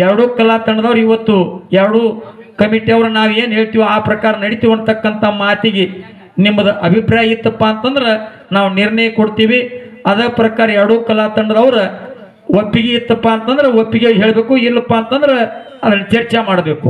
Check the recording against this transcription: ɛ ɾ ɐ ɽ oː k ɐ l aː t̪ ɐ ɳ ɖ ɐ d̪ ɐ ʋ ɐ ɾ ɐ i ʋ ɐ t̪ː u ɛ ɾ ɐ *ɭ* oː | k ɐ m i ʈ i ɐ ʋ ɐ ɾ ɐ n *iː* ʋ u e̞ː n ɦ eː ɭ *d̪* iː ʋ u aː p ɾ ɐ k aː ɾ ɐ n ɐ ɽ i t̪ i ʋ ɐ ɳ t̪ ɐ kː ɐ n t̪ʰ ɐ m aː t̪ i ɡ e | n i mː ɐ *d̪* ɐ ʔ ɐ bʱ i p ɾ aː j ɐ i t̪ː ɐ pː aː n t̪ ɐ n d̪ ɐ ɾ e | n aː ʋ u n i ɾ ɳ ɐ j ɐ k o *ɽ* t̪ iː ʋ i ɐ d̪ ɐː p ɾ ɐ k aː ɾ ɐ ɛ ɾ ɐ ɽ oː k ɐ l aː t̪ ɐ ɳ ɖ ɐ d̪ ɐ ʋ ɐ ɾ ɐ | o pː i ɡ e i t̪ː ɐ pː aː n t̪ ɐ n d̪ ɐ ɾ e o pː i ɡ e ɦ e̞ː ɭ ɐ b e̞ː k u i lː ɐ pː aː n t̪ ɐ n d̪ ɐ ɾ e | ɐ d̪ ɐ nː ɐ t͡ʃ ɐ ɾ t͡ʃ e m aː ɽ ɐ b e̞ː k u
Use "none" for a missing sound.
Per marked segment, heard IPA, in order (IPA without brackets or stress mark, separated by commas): ɽ, aː, t̪, d̪, ɽ